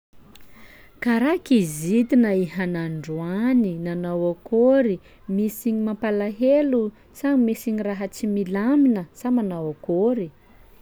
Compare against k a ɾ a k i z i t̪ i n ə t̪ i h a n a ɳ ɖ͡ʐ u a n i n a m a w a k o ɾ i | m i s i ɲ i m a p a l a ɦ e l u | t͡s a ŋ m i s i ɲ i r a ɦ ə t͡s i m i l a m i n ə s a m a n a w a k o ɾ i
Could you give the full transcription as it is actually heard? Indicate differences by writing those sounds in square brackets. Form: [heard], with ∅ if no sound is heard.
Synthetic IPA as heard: k a ɾ a k i z i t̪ i n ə [∅] i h a n a ɳ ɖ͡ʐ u a n i n a [n] a w a k o ɾ i | m i s i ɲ i m a p a l a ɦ e l u | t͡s a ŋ m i s i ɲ i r a ɦ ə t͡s i m i l a m i n ə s a m a n a w a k o ɾ i